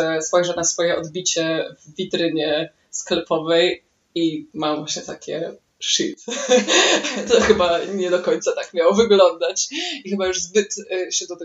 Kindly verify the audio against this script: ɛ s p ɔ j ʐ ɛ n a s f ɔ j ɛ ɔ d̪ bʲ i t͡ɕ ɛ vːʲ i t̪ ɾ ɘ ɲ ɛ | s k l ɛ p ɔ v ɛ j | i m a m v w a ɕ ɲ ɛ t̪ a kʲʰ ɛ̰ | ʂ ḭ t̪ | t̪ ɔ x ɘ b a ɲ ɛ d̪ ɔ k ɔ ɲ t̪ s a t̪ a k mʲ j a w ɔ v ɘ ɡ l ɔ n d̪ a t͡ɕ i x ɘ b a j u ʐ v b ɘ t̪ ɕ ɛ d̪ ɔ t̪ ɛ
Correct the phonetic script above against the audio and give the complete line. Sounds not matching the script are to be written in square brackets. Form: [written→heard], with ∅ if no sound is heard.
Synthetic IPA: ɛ s p ɔ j ʐ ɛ n a s f ɔ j ɛ ɔ d̪ bʲ i t͡ɕ ɛ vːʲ i t̪ ɾ ɘ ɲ ɛ | s k l ɛ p ɔ v ɛ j | i m a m v w a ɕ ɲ ɛ t̪ a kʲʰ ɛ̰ | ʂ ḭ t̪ | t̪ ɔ x ɘ b a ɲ ɛ d̪ ɔ k ɔ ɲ t̪ s a t̪ a k mʲ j a w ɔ v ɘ ɡ l ɔ n d̪ a t͡ɕ i x ɘ b a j u ʐ [v→z] b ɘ t̪ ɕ ɛ d̪ ɔ t̪ ɛ